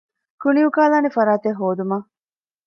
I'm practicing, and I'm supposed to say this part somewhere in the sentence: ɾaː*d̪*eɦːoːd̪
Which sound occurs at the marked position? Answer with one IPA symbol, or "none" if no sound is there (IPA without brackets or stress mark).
t̪